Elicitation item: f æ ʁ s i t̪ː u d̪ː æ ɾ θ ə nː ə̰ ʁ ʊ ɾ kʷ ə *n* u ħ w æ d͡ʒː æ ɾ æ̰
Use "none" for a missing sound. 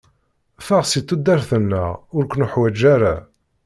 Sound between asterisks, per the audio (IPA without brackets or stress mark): n